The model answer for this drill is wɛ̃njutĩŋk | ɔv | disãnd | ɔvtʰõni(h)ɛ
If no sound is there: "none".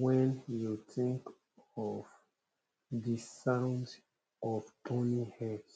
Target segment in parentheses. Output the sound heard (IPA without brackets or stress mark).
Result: h